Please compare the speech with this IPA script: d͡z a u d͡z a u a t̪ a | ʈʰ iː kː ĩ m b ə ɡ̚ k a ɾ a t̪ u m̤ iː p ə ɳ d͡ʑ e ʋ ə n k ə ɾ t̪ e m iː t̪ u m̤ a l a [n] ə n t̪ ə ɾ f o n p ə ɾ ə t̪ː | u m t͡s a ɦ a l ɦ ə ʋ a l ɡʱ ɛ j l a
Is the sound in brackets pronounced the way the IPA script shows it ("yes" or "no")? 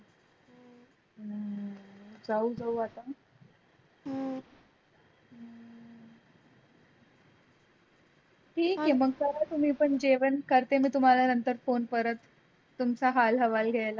yes